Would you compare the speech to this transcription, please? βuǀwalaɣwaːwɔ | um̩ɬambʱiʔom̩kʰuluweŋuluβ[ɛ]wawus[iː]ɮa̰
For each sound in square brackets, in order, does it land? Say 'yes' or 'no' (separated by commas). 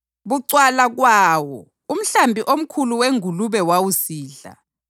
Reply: yes, yes